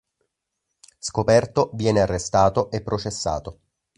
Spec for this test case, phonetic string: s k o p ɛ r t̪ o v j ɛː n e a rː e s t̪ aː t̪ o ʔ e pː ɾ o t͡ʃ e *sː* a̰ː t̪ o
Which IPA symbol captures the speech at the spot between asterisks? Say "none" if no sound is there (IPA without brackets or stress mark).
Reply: sː